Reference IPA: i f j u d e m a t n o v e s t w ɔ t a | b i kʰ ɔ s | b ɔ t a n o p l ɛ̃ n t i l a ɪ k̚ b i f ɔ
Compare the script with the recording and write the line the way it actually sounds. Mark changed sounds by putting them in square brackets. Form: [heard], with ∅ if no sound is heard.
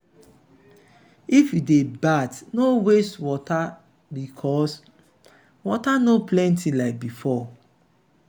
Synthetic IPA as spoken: i f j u d e [b] a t n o [w] e s t w ɔ t a | b i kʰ ɔ s | [w] ɔ t a n o p l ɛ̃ n t i l a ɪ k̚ b i f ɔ

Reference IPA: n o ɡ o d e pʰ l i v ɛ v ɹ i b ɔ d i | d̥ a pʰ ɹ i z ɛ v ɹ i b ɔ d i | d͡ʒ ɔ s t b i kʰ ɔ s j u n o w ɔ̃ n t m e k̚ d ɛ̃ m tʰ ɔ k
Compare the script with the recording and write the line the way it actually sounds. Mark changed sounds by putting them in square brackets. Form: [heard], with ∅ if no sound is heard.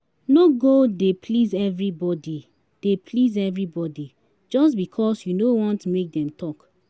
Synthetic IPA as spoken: n o ɡ o d e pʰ l i [z] ɛ v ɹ i b ɔ d i | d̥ [e] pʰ [l] i z ɛ v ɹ i b ɔ d i | d͡ʒ ɔ s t b i kʰ ɔ s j u n o w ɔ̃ n t m e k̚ d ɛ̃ m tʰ ɔ k

